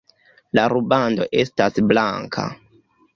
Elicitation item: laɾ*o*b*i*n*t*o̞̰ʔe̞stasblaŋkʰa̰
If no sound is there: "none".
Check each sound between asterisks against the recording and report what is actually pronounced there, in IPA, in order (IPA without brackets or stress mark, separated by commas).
u, a, d